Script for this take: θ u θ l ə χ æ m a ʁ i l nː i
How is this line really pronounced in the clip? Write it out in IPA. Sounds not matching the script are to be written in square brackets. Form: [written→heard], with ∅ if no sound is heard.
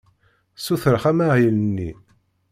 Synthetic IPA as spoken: [θ→s] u θ [l→ɾ] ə χ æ m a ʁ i l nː i